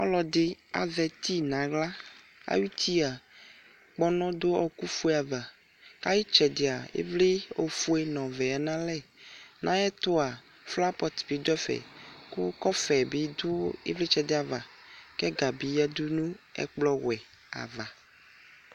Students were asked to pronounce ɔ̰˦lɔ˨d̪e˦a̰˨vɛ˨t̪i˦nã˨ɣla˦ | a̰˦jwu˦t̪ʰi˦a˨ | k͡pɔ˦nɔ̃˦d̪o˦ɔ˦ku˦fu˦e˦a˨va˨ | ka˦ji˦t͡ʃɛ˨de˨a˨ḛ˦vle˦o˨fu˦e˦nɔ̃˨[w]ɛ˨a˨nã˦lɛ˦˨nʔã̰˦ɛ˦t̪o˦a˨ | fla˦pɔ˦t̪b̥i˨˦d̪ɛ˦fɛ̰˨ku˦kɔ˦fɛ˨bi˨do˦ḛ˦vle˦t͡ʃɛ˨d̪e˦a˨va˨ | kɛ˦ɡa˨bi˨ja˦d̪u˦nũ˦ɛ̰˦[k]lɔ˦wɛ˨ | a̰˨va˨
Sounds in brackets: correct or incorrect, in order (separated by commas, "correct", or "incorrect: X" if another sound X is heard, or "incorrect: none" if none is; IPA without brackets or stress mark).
incorrect: v, incorrect: k͡p